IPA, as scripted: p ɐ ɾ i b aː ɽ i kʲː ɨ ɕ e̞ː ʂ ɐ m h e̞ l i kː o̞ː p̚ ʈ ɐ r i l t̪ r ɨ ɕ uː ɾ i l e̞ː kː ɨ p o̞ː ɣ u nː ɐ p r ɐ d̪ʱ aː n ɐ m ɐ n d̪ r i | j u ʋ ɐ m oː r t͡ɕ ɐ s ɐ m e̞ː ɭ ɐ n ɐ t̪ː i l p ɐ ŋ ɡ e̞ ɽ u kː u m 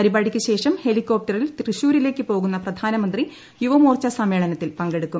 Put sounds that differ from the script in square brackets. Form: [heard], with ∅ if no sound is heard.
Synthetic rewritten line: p ɐ ɾ i b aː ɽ i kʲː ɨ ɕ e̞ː ʂ ɐ m h e̞ l i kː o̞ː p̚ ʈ ɐ r i l t̪ r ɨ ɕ uː ɾ i l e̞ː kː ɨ p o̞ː ɣ u nː ɐ p r ɐ d̪ʱ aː n ɐ m ɐ n d̪ r i | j u ʋ ɐ m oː r t͡ɕ ɐ s ɐ m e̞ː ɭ ɐ n ɐ t̪ː i l p ɐ ŋ ɡ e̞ ɽ u kː u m